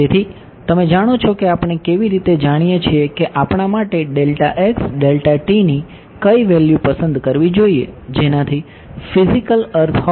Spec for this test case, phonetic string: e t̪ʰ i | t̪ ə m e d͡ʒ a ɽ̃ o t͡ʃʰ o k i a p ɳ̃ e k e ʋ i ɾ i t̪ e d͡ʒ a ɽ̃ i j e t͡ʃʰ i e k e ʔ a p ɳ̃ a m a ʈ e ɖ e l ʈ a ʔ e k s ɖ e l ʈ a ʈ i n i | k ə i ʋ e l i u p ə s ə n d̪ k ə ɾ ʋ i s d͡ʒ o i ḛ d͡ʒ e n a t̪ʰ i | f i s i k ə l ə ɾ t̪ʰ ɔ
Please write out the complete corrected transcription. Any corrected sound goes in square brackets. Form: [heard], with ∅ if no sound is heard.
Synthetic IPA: e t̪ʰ i | t̪ ə m e d͡ʒ a ɽ̃ o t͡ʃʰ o k [e] a p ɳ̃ e k e ʋ i ɾ i t̪ e d͡ʒ a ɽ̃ i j e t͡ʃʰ i e k e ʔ a p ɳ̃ a m a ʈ e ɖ e l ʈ a ʔ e k s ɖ e l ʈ a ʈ i n i | k ə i ʋ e l [j] u p ə s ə n d̪ k ə ɾ ʋ i [∅] d͡ʒ o i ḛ d͡ʒ e n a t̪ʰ i | f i [z] i k ə l ə ɾ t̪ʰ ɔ